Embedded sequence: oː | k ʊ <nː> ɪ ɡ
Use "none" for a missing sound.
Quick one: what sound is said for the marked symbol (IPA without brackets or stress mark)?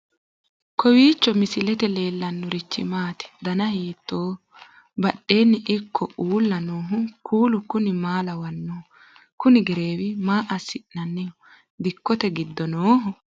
n